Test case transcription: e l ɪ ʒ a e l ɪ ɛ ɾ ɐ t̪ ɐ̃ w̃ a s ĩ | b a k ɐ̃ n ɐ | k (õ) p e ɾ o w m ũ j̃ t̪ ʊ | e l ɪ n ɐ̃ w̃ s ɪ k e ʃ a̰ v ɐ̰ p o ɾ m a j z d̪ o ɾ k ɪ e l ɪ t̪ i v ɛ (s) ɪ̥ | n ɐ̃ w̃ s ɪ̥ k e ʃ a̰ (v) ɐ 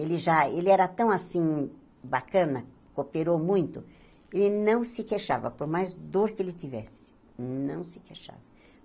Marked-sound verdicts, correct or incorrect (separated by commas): incorrect, correct, correct